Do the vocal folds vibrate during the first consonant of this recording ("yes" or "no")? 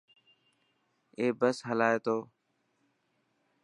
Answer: yes